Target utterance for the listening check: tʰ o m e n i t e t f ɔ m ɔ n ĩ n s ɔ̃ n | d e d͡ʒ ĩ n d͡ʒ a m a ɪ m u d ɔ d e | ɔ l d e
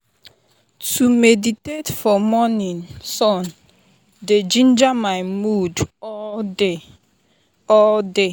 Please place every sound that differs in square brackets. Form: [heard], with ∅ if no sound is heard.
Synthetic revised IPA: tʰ [u] m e [d] i t e t f ɔ m ɔ n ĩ n s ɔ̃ n | d e d͡ʒ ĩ n d͡ʒ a m a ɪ m u d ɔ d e | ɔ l d e